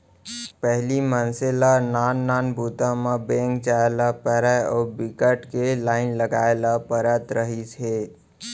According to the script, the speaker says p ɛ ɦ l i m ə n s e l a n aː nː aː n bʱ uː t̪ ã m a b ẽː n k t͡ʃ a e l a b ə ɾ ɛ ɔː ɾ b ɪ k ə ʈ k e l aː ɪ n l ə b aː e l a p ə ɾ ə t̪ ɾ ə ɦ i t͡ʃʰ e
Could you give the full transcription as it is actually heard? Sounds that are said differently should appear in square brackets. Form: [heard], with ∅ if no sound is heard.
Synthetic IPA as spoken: p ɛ ɦ l i m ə n s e l a n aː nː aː n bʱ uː t̪ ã m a b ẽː [ŋ] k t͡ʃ a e l a [p] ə ɾ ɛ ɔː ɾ b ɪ k ə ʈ k e l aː ɪ n l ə [ɡ] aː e l a p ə ɾ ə t̪ ɾ ə ɦ i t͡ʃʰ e

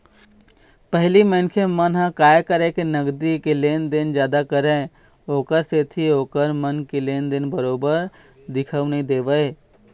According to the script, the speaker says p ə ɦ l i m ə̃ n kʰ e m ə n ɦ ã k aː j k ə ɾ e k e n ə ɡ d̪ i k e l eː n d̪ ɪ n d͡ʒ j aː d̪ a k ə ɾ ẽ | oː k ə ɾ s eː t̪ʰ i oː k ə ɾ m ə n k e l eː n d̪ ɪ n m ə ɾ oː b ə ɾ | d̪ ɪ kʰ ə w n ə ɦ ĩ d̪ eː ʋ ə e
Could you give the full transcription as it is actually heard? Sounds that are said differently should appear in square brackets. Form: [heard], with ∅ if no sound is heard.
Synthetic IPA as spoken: p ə ɦ l i m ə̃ n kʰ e m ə n ɦ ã k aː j k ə ɾ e k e n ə ɡ d̪ i k e l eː n d̪ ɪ n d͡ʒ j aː d̪ a k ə ɾ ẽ | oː k ə ɾ s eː t̪ʰ i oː k ə ɾ m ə n k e l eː n d̪ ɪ n [b] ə ɾ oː b ə ɾ | d̪ ɪ kʰ ə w n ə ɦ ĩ d̪ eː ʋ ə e

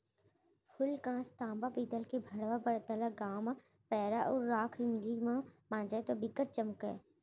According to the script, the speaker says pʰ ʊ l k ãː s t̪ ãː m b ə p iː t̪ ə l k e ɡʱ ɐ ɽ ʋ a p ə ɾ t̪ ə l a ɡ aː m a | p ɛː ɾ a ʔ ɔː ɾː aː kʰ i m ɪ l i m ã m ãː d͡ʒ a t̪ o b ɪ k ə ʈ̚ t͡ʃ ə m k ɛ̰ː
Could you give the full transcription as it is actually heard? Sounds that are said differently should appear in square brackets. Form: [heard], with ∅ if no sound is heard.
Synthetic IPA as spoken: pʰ ʊ l k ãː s t̪ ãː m b [a] p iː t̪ ə l k e [bʱ] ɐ ɽ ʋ a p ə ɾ t̪ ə l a ɡ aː m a | p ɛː ɾ a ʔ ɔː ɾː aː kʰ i m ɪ l i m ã m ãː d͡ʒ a t̪ o b ɪ k ə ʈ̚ t͡ʃ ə m k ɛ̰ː

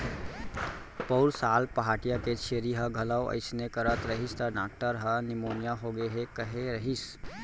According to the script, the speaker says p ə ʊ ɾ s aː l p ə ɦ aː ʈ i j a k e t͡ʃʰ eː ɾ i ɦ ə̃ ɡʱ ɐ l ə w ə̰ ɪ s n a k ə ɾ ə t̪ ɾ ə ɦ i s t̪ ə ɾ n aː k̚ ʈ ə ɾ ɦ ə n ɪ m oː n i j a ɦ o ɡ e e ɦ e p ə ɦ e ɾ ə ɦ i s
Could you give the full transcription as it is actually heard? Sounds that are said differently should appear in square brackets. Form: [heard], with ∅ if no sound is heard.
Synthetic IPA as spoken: p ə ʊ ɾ s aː l p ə ɦ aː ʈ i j a k e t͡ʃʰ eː ɾ i ɦ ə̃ ɡʱ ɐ l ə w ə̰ ɪ s n [e] k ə ɾ ə t̪ ɾ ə ɦ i s t̪ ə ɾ n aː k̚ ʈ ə ɾ ɦ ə n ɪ m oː n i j a ɦ o ɡ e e ɦ e [k] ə ɦ e ɾ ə ɦ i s

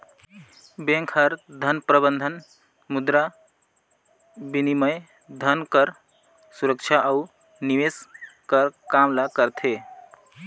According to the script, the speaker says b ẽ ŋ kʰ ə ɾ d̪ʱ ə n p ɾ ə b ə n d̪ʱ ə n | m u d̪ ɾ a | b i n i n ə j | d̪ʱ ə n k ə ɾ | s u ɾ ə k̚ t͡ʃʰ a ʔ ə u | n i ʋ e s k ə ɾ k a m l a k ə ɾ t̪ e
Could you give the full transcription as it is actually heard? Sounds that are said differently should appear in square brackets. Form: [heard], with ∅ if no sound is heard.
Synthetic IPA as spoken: b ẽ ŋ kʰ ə ɾ d̪ʱ ə n p ɾ ə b ə n d̪ʱ ə n | m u d̪ ɾ a | b i n i [m] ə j | d̪ʱ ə n k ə ɾ | s u ɾ ə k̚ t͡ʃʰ a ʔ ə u | n i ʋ e s k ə ɾ k a m l a k ə ɾ [t̪ʰ] e

